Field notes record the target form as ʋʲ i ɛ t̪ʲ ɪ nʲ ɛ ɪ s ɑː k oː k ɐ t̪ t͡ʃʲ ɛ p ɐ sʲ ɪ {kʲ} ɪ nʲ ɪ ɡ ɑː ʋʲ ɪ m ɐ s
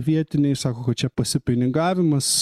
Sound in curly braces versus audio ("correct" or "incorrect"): incorrect